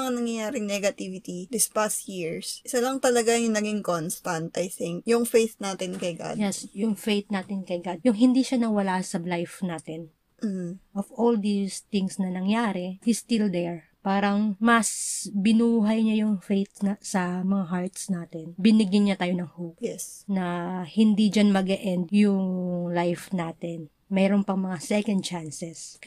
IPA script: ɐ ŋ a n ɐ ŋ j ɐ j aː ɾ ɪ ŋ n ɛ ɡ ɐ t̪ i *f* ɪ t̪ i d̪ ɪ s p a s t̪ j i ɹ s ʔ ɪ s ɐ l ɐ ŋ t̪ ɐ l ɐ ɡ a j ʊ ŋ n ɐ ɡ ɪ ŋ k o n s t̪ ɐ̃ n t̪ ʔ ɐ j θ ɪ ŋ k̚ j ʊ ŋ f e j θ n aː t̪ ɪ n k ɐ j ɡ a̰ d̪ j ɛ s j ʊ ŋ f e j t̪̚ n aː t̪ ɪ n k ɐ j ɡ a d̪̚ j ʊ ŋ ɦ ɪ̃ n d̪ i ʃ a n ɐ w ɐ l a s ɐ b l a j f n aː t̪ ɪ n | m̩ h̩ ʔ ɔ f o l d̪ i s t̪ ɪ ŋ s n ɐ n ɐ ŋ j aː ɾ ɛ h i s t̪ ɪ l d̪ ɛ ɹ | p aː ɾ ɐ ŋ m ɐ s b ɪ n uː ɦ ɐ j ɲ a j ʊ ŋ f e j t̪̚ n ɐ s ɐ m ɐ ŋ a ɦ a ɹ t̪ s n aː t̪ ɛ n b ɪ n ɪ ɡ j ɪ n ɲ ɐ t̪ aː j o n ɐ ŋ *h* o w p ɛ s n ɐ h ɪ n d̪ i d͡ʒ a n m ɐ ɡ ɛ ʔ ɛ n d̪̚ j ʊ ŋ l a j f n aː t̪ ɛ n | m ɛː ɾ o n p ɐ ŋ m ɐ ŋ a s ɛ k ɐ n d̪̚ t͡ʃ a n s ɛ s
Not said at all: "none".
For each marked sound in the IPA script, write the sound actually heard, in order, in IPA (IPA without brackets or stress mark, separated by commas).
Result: v, h